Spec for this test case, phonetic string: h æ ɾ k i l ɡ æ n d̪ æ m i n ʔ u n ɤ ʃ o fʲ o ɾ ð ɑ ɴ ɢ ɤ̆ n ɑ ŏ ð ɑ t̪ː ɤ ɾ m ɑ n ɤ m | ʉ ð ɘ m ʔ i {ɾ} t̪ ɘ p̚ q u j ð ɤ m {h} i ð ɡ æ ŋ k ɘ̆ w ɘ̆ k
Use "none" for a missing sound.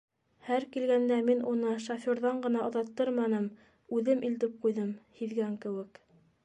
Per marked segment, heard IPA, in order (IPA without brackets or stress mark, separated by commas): l, h